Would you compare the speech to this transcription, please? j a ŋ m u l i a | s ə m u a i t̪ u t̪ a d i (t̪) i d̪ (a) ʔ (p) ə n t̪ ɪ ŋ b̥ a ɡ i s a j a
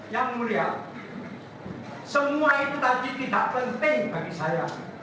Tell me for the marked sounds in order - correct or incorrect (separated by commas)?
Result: correct, correct, correct